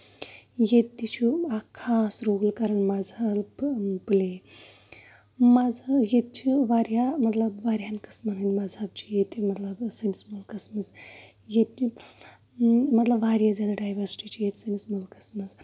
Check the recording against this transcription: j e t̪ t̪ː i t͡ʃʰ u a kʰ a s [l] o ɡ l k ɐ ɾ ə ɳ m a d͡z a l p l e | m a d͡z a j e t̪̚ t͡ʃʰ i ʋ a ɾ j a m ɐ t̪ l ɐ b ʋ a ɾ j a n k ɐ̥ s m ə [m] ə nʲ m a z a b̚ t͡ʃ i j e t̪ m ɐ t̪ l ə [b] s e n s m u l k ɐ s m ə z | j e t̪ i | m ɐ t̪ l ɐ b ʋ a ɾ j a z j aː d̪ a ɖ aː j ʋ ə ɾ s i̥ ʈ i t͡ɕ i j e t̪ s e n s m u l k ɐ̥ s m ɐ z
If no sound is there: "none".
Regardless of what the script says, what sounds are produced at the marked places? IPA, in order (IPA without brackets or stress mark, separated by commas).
ɾ, n, b